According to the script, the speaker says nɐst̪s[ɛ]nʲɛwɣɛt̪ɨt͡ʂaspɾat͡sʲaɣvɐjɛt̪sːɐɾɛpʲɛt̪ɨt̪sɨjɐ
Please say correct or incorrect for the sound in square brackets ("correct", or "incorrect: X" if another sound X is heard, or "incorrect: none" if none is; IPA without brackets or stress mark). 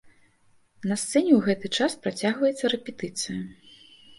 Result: correct